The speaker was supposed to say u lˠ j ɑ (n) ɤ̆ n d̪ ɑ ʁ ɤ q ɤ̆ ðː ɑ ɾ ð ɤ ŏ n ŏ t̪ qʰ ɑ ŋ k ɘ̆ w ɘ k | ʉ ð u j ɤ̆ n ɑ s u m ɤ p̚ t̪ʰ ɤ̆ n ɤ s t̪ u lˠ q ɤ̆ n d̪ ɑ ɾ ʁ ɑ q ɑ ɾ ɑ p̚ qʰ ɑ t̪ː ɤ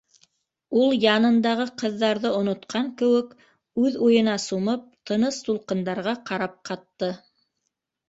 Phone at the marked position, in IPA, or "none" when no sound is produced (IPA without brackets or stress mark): n